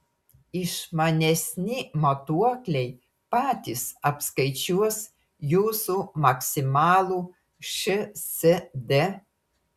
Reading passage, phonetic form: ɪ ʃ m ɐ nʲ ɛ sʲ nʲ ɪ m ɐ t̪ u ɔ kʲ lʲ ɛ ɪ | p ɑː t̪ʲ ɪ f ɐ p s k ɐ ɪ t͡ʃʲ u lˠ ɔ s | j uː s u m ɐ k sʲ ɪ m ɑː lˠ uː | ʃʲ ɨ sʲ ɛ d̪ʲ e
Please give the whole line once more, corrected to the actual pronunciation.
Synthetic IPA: ɪ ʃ m ɐ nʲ ɛ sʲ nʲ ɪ m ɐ t̪ u ɔ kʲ lʲ ɛ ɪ | p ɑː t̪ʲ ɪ s ɐ p s k ɐ ɪ t͡ʃʲ u ɔ s | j uː s u m ɐ k sʲ ɪ m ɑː lˠ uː | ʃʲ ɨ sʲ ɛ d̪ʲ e